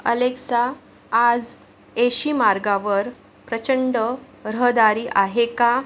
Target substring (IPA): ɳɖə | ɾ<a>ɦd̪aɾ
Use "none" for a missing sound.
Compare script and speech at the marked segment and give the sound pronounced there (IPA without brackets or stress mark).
ə